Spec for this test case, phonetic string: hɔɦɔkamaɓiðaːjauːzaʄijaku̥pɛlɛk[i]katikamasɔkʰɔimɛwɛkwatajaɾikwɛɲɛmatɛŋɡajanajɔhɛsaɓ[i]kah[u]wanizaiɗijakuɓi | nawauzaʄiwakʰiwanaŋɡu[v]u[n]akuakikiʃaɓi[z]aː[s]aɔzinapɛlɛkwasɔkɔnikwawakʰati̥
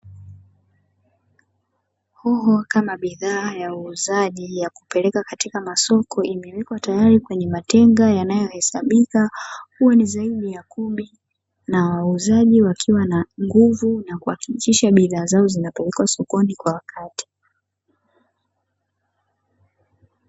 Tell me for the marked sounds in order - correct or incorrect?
incorrect, correct, correct, correct, correct, incorrect, incorrect

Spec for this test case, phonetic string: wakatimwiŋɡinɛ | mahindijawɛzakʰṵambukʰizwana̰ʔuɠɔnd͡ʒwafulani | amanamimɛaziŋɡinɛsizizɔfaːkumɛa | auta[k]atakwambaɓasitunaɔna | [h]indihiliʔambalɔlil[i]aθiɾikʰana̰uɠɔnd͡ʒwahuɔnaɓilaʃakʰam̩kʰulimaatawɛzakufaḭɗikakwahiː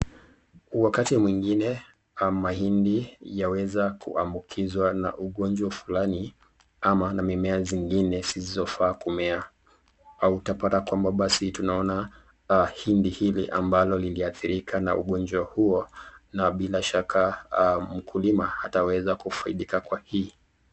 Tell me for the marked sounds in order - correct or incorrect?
incorrect, correct, correct

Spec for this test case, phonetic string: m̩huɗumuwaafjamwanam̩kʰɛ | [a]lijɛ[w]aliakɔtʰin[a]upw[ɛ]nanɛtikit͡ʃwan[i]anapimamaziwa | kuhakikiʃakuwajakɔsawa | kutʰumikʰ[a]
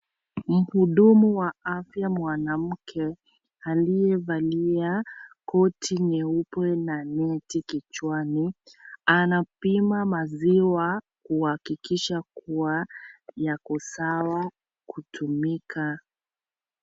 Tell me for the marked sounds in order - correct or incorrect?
correct, incorrect, incorrect, correct, correct, correct

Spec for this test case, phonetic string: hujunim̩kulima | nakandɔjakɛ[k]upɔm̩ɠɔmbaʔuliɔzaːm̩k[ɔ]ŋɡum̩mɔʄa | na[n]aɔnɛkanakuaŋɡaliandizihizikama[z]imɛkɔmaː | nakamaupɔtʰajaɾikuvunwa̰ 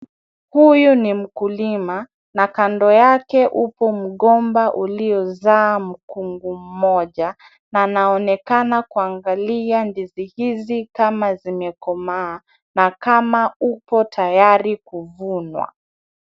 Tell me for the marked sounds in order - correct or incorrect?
incorrect, incorrect, correct, correct

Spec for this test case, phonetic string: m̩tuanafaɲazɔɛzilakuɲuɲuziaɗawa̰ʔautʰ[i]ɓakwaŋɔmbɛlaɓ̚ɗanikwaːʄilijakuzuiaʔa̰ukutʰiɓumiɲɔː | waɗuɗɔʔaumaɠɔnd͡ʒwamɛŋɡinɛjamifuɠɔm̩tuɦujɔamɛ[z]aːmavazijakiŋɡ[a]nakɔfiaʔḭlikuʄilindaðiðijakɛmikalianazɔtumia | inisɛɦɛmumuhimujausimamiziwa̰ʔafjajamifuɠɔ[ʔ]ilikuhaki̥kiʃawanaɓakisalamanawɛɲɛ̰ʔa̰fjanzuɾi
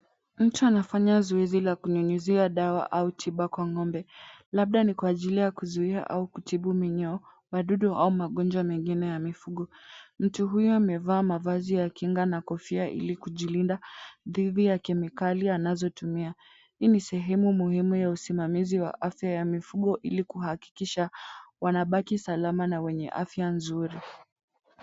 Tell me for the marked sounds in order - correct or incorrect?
correct, incorrect, correct, correct

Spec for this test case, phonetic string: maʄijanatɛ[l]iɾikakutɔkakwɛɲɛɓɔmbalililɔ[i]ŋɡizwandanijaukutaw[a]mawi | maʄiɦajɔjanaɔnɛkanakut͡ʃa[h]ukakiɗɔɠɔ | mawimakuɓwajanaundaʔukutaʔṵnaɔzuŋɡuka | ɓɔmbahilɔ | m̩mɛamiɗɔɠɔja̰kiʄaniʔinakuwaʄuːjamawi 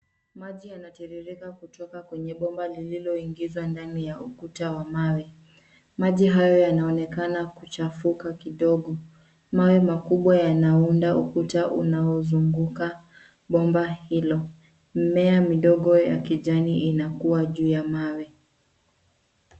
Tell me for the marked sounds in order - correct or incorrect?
incorrect, correct, correct, incorrect

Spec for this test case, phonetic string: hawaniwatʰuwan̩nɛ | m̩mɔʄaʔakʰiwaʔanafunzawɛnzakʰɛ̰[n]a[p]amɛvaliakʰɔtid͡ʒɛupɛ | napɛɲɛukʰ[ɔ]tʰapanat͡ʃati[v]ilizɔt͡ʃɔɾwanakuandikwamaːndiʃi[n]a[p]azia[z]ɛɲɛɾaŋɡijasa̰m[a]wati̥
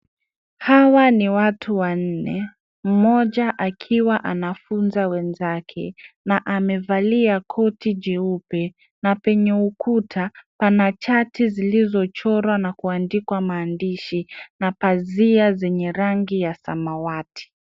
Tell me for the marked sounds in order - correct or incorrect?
correct, incorrect, incorrect, incorrect, correct, correct, correct, correct

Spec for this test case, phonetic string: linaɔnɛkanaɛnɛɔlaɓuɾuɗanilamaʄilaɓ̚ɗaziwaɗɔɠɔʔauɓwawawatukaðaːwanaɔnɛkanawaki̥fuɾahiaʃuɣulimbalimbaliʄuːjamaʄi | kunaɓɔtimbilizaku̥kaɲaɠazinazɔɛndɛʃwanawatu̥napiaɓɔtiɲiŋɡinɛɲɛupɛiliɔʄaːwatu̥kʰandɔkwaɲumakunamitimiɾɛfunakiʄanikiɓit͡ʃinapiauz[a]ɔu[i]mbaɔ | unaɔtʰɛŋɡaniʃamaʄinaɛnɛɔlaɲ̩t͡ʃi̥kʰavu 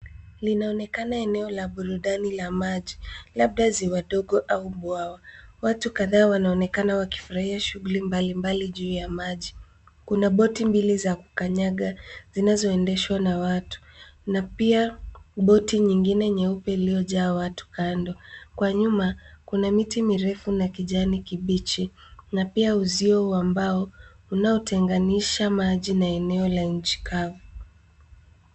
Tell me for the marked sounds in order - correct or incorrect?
incorrect, incorrect

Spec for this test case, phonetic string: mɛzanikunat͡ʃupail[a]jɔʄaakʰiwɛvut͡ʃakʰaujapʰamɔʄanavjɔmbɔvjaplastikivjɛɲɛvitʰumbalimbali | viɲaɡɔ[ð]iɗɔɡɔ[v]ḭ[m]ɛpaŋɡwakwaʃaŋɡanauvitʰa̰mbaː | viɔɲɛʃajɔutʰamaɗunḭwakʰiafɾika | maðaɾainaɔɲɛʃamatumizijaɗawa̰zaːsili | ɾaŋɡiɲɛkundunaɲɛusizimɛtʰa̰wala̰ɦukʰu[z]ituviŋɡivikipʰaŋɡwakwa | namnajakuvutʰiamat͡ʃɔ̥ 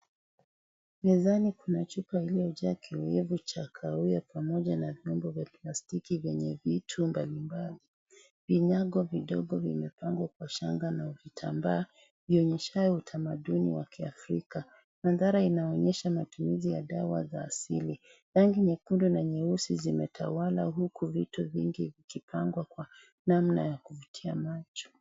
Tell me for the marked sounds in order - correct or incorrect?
incorrect, incorrect, correct, correct, incorrect

